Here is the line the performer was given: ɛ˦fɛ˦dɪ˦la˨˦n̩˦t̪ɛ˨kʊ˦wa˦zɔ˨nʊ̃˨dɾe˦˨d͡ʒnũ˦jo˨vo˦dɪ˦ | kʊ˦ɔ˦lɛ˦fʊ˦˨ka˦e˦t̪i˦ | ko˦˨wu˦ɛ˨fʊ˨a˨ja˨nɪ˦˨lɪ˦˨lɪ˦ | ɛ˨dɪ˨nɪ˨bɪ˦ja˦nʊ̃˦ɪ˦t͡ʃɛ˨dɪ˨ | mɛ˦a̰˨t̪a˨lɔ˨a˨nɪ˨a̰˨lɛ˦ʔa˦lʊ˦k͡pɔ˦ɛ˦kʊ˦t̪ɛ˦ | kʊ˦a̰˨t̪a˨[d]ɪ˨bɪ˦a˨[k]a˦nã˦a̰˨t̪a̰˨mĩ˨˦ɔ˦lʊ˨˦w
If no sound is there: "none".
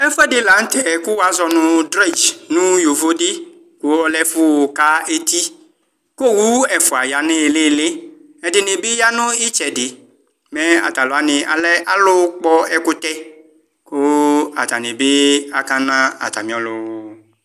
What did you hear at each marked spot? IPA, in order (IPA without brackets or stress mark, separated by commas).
n, k